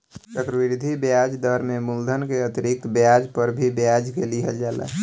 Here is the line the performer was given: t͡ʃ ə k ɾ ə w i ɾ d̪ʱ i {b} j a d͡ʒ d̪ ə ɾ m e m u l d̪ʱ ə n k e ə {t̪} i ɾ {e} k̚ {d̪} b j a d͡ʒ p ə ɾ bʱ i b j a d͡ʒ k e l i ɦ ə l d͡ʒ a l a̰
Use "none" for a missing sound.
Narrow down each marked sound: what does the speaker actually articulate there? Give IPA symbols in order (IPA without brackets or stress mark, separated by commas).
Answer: b, t̪, i, t̪